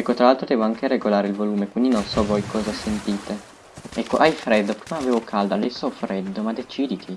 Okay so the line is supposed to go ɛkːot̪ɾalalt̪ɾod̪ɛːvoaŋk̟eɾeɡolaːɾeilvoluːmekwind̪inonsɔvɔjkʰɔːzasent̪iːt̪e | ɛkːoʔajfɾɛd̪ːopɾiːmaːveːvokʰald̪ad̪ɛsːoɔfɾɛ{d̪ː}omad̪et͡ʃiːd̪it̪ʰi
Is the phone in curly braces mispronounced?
no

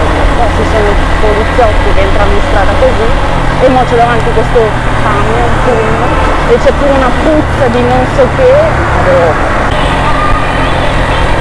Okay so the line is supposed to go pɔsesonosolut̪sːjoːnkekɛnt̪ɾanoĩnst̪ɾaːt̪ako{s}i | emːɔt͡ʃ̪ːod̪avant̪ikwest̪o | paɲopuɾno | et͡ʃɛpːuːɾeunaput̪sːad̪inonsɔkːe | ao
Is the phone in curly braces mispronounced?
yes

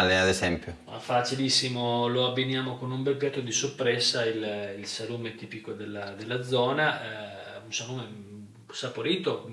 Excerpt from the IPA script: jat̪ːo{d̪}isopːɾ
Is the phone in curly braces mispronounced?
no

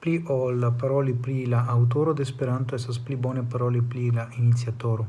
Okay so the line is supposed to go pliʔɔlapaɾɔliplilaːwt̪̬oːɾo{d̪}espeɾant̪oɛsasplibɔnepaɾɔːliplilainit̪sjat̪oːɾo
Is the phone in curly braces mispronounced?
no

